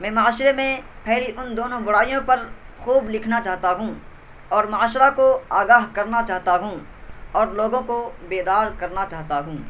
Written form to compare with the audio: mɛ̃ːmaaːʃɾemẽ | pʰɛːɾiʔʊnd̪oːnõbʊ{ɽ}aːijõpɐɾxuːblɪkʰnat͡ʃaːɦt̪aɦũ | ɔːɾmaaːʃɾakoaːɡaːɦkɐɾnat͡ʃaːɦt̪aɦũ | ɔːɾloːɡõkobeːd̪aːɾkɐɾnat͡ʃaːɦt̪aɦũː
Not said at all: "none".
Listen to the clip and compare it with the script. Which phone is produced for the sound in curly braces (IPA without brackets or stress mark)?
ɽ